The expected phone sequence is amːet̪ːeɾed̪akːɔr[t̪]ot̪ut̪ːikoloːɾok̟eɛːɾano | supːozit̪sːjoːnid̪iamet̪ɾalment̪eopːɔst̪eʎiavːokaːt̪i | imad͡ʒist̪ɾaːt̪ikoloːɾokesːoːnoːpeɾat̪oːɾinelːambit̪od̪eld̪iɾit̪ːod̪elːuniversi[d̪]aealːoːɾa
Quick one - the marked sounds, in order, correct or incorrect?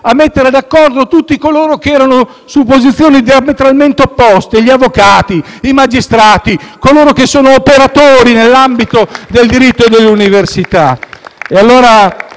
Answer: incorrect, incorrect

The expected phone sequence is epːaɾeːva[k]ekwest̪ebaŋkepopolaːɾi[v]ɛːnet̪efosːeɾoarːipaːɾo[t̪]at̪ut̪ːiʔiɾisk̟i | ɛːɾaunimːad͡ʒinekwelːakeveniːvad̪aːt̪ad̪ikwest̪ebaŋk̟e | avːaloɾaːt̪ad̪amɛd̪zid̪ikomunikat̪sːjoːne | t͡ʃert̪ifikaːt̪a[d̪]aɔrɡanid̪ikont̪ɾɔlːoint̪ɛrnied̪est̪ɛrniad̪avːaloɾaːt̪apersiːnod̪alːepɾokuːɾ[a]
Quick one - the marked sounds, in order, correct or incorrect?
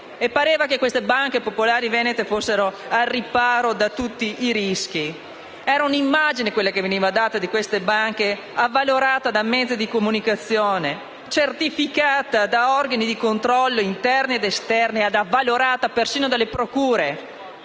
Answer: correct, correct, incorrect, correct, incorrect

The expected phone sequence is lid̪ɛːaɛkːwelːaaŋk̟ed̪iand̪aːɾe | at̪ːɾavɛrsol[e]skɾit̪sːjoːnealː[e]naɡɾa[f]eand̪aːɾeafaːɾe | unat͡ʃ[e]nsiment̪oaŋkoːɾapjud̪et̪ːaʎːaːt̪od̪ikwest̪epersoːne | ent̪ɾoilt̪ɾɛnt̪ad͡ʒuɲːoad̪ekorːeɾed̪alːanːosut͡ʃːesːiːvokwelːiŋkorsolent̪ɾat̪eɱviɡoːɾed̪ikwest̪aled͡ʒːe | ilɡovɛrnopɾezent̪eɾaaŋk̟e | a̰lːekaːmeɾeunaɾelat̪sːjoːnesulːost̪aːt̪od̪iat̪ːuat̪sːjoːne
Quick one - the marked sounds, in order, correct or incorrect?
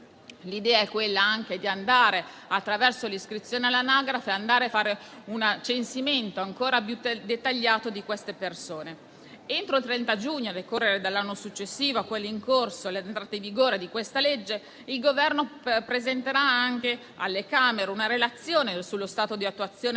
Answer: incorrect, incorrect, correct, correct

